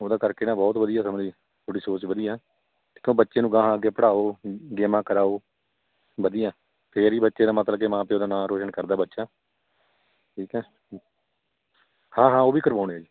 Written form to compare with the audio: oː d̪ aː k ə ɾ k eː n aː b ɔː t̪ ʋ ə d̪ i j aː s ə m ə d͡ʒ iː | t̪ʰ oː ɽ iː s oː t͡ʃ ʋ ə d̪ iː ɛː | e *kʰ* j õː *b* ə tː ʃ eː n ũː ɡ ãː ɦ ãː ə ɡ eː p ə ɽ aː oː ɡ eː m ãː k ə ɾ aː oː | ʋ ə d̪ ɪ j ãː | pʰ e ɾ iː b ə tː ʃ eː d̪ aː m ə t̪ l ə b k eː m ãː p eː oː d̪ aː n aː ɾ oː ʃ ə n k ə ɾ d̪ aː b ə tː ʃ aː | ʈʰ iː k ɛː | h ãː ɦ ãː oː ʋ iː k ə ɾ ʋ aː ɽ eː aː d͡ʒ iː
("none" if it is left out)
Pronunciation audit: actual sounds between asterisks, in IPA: k, b

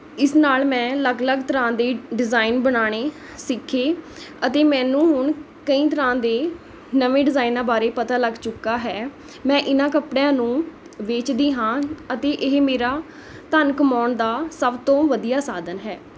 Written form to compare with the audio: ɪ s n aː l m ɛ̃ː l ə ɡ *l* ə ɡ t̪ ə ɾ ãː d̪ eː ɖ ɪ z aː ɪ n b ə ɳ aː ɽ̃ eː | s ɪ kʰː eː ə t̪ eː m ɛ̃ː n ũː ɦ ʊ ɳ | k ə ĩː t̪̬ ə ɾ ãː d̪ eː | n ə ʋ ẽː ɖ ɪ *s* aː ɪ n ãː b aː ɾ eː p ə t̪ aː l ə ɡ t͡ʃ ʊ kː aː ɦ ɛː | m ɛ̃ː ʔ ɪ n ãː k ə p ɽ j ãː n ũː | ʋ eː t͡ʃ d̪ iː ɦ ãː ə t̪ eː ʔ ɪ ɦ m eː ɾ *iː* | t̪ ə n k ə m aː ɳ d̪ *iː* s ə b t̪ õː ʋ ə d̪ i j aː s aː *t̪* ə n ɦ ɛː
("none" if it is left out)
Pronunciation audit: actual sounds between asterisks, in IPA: l, z, aː, aː, d̪

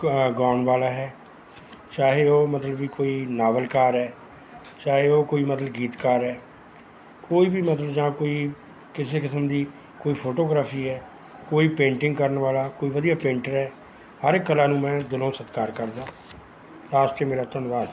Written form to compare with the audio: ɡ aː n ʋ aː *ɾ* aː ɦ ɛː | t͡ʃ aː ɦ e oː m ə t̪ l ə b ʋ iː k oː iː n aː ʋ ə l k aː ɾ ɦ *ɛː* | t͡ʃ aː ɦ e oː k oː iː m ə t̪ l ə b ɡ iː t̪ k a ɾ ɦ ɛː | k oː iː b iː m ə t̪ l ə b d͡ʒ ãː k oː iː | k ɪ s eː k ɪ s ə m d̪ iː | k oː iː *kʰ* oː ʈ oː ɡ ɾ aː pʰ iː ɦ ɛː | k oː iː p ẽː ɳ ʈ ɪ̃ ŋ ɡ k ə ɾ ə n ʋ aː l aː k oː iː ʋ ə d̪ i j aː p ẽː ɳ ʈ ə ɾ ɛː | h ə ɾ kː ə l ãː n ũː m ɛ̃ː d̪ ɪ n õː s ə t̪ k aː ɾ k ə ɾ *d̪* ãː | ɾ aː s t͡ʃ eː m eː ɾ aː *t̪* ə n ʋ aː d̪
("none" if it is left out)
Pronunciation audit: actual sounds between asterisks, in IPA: l, ɛː, pʰ, d̪, t̪

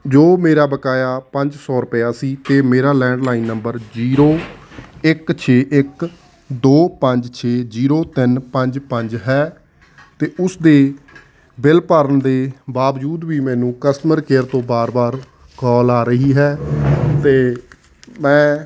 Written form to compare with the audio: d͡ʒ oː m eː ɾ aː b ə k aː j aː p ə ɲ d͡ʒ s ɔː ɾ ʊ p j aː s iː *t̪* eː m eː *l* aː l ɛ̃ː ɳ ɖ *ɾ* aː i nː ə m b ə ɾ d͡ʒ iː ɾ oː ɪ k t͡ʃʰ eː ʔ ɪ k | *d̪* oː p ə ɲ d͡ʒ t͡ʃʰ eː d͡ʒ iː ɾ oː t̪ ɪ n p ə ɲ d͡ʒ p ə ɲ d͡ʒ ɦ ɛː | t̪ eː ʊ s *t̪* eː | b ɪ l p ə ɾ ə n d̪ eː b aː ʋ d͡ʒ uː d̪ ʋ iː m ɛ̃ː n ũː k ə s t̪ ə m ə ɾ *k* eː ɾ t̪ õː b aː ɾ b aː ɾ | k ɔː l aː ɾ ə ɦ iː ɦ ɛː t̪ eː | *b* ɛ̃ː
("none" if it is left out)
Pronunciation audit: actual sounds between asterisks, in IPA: t̪, ɾ, l, d̪, d̪, k, m

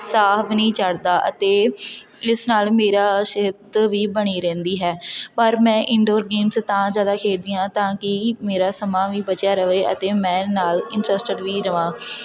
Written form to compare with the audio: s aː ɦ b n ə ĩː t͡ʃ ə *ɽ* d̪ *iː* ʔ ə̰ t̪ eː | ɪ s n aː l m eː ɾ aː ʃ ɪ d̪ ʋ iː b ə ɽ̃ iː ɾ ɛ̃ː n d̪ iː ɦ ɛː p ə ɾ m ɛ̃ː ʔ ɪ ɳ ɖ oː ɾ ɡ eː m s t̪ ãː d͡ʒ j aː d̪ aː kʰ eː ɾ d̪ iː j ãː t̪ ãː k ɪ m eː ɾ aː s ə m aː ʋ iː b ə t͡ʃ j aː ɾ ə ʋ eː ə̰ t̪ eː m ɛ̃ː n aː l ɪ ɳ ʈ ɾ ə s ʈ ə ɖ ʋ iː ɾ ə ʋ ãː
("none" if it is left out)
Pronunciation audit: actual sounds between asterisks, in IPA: ɽ, aː

